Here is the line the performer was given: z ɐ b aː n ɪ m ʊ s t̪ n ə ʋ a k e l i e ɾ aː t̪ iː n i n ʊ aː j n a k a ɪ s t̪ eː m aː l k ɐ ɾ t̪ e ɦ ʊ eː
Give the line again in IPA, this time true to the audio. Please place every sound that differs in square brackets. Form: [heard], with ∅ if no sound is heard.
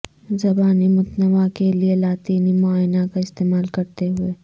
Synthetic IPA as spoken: z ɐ b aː n [i] m ʊ [∅] t̪ n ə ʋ a k e l i e [l] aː t̪ iː n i [m] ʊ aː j n a k a ɪ s t̪ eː m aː l k ɐ ɾ t̪ e ɦ ʊ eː